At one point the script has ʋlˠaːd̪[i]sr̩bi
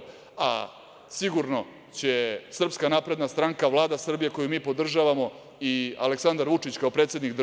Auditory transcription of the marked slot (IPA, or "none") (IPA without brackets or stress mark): a